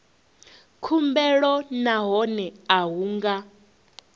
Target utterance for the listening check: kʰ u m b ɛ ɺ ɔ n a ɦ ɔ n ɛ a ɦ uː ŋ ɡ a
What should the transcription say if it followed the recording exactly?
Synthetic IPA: kʰ u m b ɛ ɺ ɔ n a ɦ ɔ n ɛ a ɦ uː ŋ ɡ a